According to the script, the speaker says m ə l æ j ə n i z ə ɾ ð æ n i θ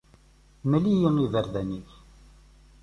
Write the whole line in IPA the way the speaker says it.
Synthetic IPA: m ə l i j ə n i v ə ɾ ð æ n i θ